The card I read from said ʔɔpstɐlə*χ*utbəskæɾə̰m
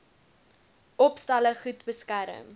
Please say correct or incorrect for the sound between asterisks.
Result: correct